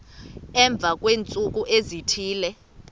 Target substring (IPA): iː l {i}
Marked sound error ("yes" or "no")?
yes